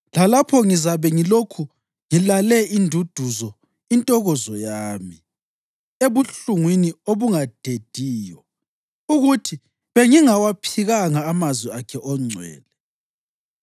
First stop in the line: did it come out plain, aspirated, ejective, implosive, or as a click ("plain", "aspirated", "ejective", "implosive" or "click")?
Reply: aspirated